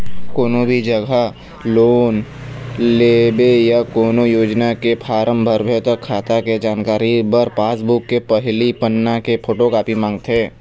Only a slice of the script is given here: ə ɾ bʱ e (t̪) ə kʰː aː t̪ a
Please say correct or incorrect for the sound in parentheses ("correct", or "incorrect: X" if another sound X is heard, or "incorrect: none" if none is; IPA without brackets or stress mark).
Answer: correct